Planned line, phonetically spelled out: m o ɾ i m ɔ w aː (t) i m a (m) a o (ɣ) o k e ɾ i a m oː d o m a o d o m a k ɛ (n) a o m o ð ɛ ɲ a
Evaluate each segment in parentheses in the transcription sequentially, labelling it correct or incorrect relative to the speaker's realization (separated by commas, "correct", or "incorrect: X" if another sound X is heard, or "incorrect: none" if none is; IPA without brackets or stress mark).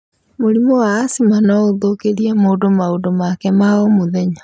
incorrect: s, incorrect: n, incorrect: ð, incorrect: m